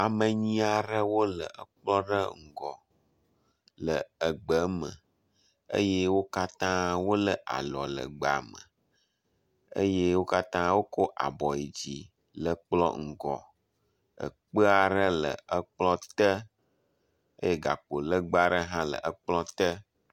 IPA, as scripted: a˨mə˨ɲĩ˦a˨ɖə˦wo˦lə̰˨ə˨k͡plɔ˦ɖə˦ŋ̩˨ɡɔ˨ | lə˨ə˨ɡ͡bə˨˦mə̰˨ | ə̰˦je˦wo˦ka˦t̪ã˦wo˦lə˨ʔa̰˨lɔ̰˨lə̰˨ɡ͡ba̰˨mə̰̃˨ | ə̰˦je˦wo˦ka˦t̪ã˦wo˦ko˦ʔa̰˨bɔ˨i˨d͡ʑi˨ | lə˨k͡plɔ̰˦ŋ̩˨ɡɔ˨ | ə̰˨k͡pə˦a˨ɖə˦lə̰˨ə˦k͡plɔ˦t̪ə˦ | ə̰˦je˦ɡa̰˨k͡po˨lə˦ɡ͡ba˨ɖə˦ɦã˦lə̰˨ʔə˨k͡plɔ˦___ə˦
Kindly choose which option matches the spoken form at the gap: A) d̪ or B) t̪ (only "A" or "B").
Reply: B